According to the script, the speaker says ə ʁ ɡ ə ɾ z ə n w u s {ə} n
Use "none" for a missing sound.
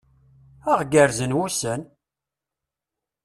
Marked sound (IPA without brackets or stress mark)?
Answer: ə